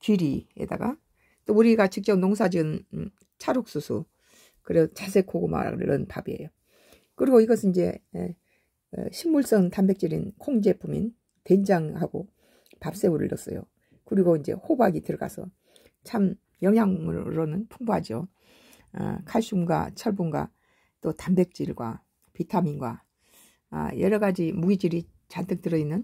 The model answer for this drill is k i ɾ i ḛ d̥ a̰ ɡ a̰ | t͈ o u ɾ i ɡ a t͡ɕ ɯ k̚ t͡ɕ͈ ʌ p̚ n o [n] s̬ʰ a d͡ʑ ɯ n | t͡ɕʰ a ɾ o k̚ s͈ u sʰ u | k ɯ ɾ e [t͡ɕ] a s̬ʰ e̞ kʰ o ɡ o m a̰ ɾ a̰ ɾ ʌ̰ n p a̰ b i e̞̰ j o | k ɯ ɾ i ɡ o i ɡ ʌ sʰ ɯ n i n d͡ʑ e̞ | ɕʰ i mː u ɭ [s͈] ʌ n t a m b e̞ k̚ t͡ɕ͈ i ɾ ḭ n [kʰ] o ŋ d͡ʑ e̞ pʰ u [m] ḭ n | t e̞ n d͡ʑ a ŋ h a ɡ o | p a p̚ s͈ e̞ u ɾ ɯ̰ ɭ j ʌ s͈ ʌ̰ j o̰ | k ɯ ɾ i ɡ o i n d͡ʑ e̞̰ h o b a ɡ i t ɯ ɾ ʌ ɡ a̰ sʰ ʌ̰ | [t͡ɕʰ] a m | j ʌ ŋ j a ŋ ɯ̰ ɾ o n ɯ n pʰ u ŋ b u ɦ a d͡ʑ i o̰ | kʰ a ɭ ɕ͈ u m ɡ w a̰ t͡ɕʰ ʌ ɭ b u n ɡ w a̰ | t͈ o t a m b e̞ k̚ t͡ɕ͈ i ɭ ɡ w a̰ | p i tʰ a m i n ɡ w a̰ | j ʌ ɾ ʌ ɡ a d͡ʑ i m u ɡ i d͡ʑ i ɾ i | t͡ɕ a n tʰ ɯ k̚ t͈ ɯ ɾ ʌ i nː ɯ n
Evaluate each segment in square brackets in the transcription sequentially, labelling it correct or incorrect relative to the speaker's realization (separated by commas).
incorrect, correct, correct, correct, correct, correct